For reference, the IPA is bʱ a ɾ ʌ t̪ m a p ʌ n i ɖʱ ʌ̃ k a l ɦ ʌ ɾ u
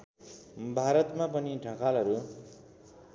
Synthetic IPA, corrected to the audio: bʱ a ɾ ʌ t̪ m a p ʌ n i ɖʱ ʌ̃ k a l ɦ ʌ ɾ u